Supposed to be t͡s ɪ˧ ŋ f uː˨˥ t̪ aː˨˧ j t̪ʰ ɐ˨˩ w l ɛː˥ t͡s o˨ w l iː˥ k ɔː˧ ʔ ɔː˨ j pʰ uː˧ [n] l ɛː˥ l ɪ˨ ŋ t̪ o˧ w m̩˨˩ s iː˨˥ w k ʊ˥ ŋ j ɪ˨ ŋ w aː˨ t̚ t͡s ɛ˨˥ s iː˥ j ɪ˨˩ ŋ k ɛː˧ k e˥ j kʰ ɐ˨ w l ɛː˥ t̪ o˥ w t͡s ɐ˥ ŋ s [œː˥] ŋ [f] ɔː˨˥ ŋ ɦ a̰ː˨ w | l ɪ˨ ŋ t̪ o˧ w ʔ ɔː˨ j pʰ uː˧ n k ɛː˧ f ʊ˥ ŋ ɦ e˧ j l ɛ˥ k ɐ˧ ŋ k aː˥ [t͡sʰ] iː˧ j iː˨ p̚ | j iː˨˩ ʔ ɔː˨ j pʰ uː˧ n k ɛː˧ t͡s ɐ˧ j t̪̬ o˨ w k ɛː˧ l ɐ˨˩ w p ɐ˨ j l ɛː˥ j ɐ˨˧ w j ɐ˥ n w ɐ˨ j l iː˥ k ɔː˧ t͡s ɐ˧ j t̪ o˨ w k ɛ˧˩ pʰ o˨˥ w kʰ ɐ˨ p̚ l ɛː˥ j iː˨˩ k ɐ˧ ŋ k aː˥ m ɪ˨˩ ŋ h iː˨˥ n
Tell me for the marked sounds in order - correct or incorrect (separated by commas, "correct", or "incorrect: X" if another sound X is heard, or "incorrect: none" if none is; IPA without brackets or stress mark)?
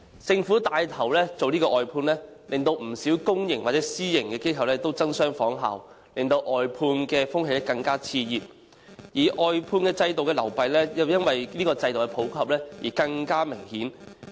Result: correct, correct, correct, correct